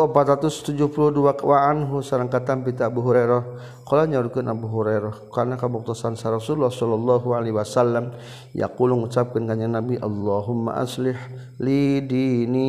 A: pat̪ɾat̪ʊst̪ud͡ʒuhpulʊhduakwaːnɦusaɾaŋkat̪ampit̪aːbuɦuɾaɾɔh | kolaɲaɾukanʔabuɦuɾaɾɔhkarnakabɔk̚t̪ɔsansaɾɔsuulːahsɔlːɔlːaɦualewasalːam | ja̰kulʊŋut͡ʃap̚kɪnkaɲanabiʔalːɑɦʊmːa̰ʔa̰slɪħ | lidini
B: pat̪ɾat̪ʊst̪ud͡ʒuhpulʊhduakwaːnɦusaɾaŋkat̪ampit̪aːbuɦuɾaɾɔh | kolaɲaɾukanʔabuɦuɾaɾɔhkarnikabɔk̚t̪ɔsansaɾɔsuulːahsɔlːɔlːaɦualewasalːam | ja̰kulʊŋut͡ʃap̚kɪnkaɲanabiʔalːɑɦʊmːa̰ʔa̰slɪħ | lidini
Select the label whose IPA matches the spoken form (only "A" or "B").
A